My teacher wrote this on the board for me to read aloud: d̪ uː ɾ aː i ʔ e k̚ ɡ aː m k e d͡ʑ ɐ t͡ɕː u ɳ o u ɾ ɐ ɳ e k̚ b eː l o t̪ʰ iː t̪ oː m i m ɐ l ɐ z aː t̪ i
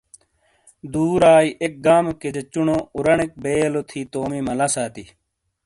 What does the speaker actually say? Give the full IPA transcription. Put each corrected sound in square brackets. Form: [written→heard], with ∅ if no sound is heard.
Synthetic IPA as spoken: d̪ uː ɾ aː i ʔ e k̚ ɡ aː m k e d͡ʑ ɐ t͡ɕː u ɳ o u ɾ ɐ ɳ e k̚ b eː l o t̪ʰ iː t̪ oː m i m ɐ l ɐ [z→s] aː t̪ i